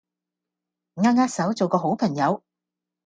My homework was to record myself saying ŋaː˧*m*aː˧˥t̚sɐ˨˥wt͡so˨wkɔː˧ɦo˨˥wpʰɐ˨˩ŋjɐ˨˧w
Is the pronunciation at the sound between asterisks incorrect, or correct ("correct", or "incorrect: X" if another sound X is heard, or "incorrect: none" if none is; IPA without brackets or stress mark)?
incorrect: ŋ